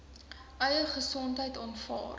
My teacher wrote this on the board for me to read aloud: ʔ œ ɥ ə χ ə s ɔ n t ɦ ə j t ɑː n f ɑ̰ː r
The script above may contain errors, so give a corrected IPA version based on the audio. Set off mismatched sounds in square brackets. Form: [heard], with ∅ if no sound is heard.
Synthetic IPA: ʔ œ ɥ ə χ ə s ɔ n t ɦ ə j t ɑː n f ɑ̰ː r